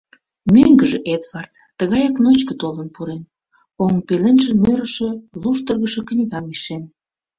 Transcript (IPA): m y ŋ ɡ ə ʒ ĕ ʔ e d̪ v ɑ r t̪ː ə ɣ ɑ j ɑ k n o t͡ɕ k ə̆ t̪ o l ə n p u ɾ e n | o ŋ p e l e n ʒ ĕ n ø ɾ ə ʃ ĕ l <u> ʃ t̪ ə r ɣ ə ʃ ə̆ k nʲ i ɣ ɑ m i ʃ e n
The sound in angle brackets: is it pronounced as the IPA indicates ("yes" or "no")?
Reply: yes